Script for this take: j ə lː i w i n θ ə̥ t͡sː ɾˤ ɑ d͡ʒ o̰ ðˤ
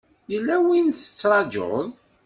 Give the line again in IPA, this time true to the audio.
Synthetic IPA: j ə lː æ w i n θ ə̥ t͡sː ɾˤ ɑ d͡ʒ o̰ ðˤ